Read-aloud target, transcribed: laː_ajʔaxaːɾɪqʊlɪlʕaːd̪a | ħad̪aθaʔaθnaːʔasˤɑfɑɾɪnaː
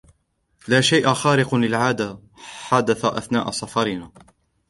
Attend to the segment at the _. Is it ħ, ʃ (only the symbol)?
ʃ